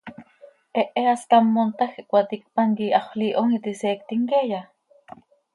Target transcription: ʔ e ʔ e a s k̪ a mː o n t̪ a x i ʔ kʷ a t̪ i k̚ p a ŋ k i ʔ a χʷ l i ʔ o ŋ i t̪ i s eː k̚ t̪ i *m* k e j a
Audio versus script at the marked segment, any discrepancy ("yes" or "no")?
yes